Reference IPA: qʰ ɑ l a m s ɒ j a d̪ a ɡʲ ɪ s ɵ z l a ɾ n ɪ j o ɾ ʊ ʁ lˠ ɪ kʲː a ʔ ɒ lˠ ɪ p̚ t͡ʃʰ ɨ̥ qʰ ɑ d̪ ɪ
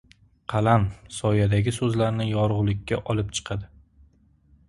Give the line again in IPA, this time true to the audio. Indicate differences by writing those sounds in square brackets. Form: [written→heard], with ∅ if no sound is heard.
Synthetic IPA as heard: qʰ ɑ l a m s ɒ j a d̪ a ɡʲ ɪ s ɵ z l a ɾ n ɪ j [o→ɒ] ɾ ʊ ʁ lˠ ɪ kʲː a ʔ ɒ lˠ ɪ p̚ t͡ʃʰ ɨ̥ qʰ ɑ d̪ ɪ